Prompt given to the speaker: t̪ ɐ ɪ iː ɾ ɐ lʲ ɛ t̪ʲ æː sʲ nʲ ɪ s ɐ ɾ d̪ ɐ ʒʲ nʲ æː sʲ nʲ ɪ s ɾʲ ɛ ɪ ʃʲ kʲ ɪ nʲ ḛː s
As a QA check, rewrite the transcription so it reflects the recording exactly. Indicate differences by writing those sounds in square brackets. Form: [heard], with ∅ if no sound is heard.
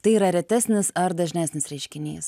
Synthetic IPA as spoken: t̪ ɐ ɪ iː ɾ ɐ [ɾʲ] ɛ t̪ʲ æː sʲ nʲ ɪ s ɐ ɾ d̪ ɐ ʒʲ nʲ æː sʲ nʲ ɪ s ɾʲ ɛ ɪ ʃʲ kʲ ɪ nʲ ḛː s